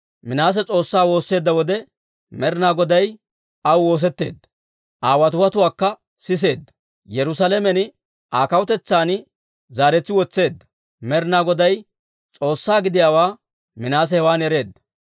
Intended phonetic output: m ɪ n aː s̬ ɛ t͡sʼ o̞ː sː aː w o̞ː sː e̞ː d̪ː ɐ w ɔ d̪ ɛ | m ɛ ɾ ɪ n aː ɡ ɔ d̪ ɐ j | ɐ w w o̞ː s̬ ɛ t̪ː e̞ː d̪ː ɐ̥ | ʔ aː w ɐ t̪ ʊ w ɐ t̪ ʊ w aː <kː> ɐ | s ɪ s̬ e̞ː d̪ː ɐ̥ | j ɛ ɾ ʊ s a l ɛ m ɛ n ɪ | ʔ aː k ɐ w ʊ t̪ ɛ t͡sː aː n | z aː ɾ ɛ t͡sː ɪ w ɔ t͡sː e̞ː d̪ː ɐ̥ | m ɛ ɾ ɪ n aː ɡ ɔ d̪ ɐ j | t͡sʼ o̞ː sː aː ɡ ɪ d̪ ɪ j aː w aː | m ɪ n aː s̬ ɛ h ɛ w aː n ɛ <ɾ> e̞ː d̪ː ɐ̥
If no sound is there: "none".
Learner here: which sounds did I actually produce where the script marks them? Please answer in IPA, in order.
kː, ɾ

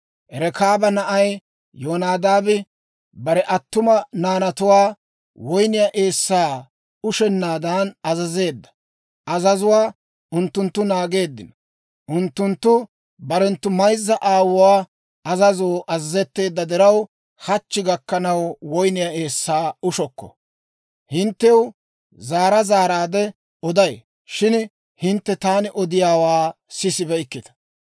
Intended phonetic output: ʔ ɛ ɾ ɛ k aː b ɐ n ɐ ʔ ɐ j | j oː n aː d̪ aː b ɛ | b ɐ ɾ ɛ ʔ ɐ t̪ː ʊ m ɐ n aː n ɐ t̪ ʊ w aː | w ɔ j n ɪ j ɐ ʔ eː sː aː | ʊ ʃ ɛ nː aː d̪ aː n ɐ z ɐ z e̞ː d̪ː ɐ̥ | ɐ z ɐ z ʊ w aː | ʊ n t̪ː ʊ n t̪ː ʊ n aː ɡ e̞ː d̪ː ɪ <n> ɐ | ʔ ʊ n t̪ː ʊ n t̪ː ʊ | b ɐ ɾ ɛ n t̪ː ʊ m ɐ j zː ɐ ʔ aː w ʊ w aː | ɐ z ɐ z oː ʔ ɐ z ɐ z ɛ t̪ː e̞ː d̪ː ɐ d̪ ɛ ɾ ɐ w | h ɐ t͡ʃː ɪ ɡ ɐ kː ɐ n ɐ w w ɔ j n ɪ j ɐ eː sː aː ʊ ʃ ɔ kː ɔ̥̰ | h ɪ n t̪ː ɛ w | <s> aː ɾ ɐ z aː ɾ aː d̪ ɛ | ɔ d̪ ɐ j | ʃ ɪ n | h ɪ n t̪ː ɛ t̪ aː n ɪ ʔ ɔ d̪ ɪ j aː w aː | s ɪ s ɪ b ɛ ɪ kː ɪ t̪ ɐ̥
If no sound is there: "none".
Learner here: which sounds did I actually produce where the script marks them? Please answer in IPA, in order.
n, z

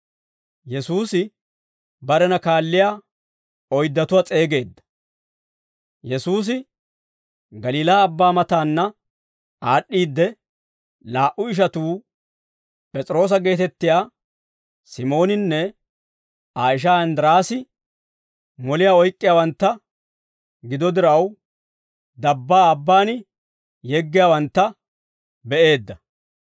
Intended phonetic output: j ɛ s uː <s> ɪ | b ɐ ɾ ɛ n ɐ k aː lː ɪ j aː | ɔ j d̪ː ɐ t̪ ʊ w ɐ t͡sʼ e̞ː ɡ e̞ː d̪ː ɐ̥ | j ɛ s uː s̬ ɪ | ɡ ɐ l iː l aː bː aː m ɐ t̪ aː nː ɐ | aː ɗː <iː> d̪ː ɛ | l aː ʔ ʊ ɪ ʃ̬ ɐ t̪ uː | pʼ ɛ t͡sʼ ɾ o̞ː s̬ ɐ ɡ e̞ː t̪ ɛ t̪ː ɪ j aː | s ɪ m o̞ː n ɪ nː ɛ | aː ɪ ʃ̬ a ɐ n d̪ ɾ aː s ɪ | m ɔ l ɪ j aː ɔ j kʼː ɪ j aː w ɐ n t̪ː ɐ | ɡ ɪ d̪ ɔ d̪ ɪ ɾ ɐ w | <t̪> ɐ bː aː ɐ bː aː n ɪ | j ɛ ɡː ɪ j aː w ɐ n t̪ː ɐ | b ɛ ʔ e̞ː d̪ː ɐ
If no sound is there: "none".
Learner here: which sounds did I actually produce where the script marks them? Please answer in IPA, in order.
s, iː, d̪

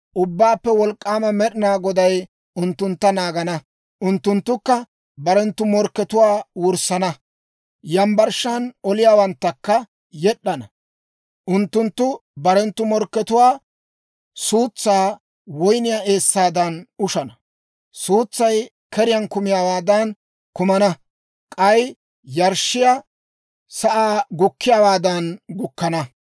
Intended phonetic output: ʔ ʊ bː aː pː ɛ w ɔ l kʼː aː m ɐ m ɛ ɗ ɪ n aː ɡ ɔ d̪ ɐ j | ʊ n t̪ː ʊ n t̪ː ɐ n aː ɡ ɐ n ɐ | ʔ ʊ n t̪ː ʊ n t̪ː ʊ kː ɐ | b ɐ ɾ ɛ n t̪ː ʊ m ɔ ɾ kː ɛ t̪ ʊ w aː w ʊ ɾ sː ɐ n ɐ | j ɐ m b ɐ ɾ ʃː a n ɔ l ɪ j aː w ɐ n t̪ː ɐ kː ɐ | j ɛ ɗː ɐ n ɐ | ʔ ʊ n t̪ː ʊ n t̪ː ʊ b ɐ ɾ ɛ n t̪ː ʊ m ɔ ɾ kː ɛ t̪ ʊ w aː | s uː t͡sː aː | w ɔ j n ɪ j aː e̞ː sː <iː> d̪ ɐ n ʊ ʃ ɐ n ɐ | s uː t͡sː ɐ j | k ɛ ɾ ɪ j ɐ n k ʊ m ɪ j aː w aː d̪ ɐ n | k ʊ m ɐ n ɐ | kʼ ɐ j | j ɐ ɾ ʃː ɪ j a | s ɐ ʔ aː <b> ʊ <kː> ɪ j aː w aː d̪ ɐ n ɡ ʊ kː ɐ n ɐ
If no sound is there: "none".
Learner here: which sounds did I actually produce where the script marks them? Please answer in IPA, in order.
aː, ɡ, kː

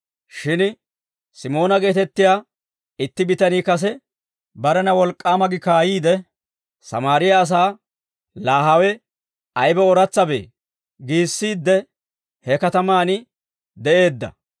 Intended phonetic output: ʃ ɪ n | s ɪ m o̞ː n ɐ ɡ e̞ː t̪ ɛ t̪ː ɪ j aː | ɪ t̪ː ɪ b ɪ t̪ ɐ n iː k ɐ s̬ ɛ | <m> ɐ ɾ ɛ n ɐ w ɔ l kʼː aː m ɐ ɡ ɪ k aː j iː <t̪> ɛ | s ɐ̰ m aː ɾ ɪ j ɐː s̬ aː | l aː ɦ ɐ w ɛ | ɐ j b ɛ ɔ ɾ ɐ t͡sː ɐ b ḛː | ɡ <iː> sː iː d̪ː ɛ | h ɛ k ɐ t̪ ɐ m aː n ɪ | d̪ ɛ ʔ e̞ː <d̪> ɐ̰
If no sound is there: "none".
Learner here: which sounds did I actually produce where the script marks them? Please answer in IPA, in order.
b, d̪, iː, d̪ː

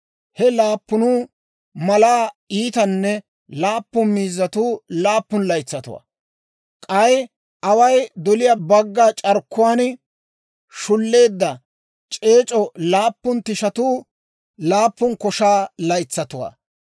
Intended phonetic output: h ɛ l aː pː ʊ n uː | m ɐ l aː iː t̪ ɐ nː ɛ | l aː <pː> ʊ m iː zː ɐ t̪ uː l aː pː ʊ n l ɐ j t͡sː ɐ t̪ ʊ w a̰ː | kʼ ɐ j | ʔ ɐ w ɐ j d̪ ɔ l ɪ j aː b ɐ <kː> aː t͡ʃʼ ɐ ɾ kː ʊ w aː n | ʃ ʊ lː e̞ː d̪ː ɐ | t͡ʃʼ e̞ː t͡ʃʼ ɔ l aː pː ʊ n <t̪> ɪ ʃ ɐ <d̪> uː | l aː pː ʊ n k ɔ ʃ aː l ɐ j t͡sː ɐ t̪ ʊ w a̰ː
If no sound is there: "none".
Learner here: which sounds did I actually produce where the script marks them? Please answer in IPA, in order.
pː, ɡː, t̪, t̪

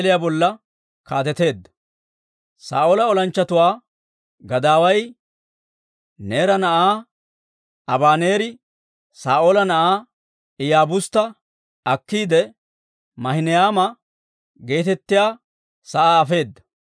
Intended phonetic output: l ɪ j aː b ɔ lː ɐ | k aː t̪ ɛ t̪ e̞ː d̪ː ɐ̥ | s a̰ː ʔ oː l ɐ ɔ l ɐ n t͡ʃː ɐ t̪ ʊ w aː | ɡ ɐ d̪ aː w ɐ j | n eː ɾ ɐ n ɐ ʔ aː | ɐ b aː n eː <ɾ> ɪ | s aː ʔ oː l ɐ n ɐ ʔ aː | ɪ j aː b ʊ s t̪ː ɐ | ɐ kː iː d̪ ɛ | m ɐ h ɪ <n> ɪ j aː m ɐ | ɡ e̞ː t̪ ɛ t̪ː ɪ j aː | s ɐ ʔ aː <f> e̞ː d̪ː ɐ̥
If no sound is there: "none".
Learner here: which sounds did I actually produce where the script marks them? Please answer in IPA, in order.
ɾ, n, f

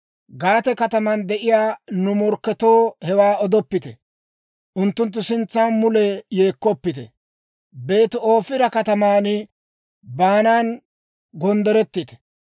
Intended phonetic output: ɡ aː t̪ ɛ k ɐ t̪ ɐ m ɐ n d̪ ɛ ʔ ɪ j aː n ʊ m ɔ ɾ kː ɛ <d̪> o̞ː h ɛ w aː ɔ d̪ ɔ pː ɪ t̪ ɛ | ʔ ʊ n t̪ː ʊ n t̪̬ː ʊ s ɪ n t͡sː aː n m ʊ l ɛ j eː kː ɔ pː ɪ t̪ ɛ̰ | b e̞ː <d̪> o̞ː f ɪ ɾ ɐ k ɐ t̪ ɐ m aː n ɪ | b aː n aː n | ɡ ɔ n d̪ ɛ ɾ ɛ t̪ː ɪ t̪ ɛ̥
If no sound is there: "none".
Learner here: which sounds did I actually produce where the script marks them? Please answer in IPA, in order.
t̪, t̪

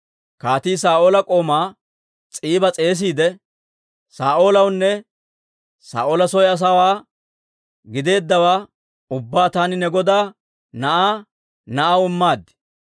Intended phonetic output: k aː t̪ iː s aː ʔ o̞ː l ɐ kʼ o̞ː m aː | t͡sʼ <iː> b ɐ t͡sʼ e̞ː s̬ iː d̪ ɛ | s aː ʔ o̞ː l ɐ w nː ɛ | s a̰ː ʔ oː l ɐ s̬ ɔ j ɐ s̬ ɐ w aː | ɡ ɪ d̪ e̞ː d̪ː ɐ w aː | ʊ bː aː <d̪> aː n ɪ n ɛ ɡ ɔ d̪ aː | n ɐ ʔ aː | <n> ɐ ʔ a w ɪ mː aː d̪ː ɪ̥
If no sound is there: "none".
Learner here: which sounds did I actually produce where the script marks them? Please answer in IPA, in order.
iː, t̪, n

